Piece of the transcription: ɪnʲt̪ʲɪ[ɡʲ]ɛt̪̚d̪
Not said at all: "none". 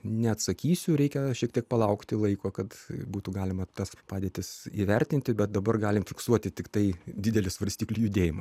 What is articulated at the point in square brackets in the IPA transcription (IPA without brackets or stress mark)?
bʲ